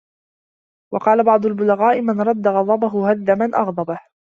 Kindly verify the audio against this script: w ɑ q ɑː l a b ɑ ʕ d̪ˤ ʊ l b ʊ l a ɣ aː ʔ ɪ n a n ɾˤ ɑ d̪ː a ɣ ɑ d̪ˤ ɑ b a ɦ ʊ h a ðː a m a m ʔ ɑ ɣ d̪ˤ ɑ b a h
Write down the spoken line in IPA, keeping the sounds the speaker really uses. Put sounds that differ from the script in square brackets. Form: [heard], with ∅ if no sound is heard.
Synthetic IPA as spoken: w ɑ q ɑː l a b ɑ ʕ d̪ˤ ʊ l b ʊ l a ɣ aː ʔ ɪ [m] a n ɾˤ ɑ d̪ː a ɣ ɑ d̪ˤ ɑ b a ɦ ʊ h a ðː a m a [n] ʔ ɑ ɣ d̪ˤ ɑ b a h